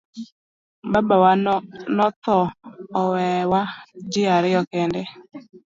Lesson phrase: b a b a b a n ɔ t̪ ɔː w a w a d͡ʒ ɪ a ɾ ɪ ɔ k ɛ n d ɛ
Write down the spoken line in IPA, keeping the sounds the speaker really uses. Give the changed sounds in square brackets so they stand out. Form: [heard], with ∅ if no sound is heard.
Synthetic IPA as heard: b a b a [w] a n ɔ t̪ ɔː w [ɛ] w a d͡ʒ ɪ a ɾ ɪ ɔ k ɛ n d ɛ